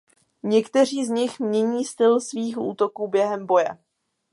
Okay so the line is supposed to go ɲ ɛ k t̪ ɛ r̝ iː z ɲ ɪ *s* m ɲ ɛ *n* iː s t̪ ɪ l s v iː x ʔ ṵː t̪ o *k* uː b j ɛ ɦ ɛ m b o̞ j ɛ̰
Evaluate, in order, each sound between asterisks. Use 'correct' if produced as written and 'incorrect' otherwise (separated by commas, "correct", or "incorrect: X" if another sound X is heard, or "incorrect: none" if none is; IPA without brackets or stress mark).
incorrect: x, incorrect: ɲ, correct